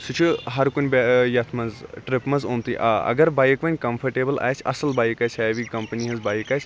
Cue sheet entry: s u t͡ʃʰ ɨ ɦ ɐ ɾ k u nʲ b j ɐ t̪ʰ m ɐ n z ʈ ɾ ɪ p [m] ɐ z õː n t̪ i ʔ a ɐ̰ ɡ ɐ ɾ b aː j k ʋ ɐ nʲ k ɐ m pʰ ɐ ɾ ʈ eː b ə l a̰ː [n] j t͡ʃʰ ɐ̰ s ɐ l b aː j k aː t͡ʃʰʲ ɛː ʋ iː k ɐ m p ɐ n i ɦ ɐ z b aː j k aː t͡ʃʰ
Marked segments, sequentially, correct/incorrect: correct, incorrect: none

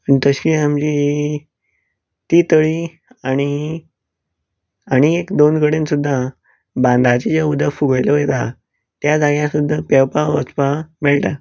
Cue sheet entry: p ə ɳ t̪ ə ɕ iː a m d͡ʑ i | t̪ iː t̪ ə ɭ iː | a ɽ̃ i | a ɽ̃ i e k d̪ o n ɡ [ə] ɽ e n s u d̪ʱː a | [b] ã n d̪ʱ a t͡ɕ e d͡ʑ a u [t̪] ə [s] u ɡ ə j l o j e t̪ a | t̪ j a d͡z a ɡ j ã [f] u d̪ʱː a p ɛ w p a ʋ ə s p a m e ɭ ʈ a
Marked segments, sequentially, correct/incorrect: correct, correct, incorrect: d̪, incorrect: f, incorrect: s

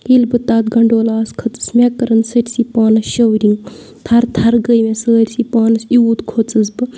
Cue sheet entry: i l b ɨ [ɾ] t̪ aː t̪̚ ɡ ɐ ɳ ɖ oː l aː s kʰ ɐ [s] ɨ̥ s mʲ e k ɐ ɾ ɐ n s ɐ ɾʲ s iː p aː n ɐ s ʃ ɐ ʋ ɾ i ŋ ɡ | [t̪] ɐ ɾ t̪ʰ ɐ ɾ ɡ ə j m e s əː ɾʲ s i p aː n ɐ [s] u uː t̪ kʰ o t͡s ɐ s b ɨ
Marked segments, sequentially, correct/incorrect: incorrect: none, incorrect: t͡s, incorrect: t̪ʰ, correct

